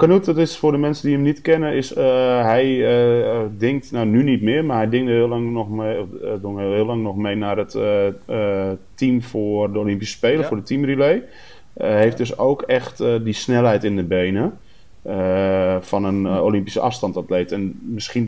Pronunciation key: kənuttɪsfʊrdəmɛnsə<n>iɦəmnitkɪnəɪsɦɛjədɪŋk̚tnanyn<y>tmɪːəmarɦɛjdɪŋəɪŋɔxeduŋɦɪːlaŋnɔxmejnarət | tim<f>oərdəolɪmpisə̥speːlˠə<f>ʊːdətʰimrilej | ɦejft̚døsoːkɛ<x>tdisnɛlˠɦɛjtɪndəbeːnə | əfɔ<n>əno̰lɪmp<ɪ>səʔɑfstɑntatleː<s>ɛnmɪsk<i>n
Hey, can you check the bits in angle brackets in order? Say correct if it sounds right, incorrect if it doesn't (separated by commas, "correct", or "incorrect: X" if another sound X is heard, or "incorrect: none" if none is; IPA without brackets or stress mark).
incorrect: d, incorrect: i, correct, correct, correct, correct, incorrect: i, incorrect: t, correct